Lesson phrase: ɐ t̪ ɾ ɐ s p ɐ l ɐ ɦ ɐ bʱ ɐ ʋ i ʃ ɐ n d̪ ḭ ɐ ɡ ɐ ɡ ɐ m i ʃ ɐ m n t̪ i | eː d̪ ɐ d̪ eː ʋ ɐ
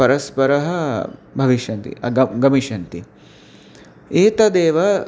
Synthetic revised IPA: ɐ ɾ ɐ s p ɐ ɾ ɐ ɦ ɐ bʱ ɐ ʋ i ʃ ɐ n t̪ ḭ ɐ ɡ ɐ ɡ ɐ m i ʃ ɐ n t̪ i | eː t̪ ɐ d̪ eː ʋ ɐ